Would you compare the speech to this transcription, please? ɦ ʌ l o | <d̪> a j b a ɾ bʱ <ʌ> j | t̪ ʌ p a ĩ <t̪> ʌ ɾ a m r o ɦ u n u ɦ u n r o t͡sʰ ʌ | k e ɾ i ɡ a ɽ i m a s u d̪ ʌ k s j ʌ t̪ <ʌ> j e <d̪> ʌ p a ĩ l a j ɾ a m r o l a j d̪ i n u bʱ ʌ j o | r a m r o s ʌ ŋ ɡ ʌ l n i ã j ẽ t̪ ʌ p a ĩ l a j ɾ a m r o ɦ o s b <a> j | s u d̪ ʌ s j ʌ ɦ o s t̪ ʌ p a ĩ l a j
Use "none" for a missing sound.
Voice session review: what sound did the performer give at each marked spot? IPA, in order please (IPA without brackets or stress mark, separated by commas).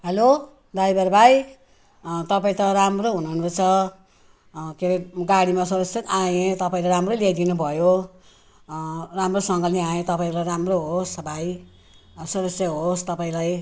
d̪, a, t̪, a, t̪, a